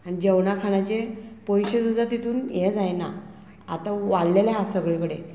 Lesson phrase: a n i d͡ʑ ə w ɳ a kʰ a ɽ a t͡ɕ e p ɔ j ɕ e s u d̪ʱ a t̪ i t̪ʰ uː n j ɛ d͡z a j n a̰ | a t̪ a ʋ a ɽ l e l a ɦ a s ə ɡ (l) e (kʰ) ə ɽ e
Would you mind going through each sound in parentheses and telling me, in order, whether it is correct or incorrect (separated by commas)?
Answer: incorrect, incorrect